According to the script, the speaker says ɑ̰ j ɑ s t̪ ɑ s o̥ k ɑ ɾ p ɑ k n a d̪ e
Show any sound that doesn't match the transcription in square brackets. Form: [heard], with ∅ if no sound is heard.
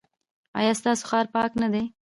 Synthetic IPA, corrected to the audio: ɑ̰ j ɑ s t̪ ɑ s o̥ [x] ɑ ɾ p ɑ k n a d̪ e